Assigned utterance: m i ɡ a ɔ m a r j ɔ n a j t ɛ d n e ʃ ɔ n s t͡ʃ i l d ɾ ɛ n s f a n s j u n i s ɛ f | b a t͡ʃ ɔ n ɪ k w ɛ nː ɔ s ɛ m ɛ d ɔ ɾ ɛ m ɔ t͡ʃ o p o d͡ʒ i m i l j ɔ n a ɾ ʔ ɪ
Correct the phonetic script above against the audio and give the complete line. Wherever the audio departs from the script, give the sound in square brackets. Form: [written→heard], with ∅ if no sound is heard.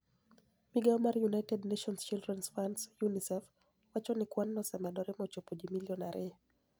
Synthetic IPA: m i ɡ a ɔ m a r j [ɔ→u] n a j t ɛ d n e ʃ ɔ n s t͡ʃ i l d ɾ ɛ n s f a n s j u n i s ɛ f | [b→w] a t͡ʃ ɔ n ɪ k w [ɛ→a] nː ɔ s ɛ m ɛ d ɔ ɾ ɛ m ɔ t͡ʃ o p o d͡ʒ i m i l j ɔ n a ɾ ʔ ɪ